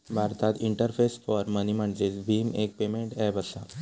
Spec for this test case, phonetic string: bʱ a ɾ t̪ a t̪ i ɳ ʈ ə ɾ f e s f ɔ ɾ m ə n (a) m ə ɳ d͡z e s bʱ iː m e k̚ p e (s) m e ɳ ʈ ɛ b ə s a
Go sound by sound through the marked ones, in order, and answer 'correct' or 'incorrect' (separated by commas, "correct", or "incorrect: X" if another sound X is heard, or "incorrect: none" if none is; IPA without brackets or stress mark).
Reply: incorrect: i, incorrect: none